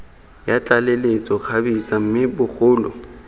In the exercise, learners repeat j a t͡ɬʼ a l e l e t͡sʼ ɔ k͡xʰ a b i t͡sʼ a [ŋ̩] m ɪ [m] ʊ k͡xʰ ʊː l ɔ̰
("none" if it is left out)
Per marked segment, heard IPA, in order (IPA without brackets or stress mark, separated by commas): m̩, b